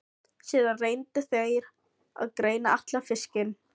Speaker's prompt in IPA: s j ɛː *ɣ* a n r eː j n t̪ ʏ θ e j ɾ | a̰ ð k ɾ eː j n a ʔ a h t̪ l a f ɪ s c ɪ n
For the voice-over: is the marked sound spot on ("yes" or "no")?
no